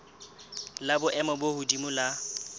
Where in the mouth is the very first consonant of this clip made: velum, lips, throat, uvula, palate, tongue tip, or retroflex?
tongue tip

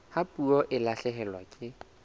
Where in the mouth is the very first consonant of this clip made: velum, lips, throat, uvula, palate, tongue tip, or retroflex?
throat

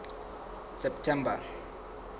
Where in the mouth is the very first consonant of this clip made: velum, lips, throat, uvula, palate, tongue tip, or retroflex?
tongue tip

